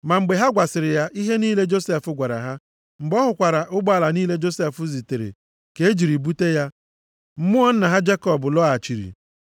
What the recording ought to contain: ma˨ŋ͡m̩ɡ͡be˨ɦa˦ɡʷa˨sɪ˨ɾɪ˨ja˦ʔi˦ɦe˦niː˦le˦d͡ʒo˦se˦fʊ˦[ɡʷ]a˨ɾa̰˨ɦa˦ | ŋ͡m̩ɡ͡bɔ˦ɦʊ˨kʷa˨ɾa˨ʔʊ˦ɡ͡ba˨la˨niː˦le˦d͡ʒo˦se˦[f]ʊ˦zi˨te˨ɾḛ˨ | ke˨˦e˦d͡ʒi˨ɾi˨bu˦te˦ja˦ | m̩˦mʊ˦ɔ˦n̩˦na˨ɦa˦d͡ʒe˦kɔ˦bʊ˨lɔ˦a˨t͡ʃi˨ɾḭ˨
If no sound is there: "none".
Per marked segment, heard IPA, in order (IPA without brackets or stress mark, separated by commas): ɡʷ, f